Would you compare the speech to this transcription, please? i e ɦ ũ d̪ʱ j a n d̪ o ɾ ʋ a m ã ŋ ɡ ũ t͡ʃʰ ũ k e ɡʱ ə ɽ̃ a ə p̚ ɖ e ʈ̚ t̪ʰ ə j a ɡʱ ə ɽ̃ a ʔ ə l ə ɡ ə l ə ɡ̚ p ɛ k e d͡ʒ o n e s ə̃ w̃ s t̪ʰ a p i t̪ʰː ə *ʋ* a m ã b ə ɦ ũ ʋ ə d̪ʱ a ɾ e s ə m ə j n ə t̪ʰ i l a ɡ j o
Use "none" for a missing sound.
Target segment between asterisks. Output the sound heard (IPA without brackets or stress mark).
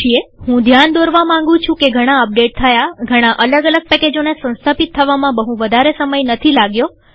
ʋ